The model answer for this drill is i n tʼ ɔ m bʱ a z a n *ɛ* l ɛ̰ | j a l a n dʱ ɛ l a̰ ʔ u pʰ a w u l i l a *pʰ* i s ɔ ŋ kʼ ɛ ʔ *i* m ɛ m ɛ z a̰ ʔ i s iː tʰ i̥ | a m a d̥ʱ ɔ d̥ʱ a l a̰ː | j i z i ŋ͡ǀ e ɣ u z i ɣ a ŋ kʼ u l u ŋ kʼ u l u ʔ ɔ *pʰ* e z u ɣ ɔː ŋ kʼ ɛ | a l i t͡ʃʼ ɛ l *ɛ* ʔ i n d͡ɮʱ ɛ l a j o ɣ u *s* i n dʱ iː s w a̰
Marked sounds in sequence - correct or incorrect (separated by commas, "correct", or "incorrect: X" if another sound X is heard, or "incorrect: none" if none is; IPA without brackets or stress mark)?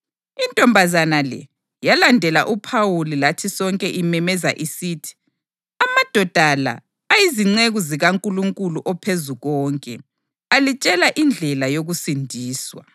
incorrect: a, incorrect: tʰ, correct, correct, incorrect: a, correct